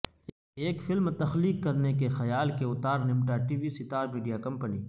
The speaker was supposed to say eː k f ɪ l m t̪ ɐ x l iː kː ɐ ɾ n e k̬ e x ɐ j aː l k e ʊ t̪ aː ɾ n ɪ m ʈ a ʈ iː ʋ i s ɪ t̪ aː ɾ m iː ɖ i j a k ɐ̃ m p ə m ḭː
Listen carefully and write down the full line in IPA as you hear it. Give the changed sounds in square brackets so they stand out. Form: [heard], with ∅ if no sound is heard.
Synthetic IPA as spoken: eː k f ɪ l m t̪ ɐ x l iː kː ɐ ɾ n e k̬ e x ɐ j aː l k e ʊ t̪ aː ɾ n ɪ m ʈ a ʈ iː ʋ i s ɪ t̪ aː ɾ m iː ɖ i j a k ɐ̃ m p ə [n] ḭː